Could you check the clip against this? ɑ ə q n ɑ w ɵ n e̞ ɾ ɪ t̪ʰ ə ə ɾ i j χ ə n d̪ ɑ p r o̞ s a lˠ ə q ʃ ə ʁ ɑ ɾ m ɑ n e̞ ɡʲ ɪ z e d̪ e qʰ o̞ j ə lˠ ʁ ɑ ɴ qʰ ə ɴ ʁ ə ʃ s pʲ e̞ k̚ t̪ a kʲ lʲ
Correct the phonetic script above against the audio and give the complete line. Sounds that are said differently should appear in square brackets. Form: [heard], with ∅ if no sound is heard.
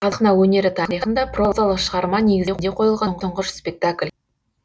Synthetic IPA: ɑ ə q n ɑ w ɵ n e̞ ɾ ɪ t̪ʰ [ɑ] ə ɾ i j χ ə n d̪ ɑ p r o̞ [z] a lˠ ə q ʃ ə ʁ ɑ ɾ m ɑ n e̞ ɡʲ ɪ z e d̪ e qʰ o̞ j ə lˠ ʁ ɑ ɴ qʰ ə ɴ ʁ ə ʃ s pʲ e̞ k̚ t̪ a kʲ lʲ